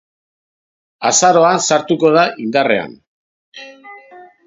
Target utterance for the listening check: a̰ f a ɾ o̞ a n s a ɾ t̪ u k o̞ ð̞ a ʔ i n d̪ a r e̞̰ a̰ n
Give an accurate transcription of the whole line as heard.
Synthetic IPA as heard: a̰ s a ɾ o̞ a n s a ɾ t̪ u k o̞ ð̞ a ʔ i n d̪ a r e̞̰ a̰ n